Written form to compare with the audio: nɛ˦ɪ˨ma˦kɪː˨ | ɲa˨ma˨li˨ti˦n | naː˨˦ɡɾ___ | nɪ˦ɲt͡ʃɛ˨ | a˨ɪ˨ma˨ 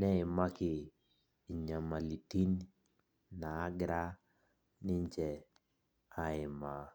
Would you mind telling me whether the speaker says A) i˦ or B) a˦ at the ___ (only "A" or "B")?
B